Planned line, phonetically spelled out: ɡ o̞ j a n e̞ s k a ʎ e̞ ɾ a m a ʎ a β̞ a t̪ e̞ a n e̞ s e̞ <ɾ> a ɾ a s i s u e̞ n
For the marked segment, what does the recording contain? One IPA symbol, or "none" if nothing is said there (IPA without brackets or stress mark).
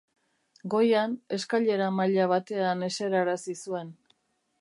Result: ɾ